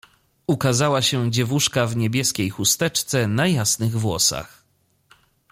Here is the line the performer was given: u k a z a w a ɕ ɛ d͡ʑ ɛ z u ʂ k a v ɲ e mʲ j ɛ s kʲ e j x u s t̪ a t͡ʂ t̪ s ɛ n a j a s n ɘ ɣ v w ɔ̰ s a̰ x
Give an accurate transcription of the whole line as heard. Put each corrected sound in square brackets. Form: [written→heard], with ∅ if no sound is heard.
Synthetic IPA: u k a z a w a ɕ ɛ d͡ʑ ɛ [z→v] u ʂ k a v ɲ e [mʲ→bʲ] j ɛ s kʲ e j x u s t̪ [a→ɛ] t͡ʂ t̪ s ɛ n a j a s n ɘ ɣ v w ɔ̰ s a̰ x